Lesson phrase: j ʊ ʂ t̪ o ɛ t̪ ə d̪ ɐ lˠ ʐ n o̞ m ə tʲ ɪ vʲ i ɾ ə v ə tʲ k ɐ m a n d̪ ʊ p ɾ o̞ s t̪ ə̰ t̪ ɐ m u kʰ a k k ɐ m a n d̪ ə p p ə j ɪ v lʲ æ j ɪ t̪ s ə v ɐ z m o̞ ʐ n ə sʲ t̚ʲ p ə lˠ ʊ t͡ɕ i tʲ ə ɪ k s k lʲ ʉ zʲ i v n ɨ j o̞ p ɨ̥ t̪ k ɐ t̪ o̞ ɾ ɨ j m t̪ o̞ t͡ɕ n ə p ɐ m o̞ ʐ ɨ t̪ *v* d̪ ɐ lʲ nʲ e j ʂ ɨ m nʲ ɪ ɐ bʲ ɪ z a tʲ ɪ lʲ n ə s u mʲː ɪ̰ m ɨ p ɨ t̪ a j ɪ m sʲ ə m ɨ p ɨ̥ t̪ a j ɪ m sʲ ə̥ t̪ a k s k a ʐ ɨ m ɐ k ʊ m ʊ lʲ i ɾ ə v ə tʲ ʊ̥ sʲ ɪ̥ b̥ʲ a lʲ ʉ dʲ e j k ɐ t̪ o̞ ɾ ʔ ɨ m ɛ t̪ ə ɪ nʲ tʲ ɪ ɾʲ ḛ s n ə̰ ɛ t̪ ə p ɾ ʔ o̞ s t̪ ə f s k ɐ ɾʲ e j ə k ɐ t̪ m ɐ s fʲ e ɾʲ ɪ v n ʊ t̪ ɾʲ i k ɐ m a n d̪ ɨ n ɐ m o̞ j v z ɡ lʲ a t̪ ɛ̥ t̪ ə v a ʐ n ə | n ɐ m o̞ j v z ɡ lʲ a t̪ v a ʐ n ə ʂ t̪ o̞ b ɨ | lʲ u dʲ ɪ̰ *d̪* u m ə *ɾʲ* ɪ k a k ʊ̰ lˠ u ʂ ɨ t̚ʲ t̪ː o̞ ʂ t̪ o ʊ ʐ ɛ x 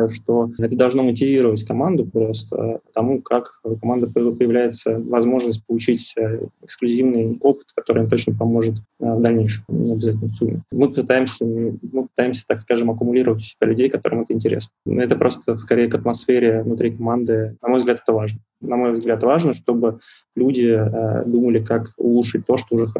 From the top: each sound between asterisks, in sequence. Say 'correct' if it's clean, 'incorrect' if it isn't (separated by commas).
correct, correct, incorrect